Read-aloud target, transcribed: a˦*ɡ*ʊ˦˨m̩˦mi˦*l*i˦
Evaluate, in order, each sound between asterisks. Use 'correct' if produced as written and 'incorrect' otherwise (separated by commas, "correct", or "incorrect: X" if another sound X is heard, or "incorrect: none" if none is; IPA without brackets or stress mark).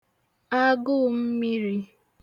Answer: correct, incorrect: ɾ